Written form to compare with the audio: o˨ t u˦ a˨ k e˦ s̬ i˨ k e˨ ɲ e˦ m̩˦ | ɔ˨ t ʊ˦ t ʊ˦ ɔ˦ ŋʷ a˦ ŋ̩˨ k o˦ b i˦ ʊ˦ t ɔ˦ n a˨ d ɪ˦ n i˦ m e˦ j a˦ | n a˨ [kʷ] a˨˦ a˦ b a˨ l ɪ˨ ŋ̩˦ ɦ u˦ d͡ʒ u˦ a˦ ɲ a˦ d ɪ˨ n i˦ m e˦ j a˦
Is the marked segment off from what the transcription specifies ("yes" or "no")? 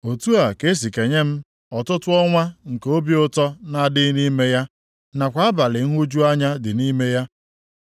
no